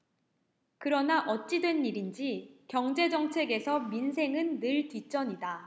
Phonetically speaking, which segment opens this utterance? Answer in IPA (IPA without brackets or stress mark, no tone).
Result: k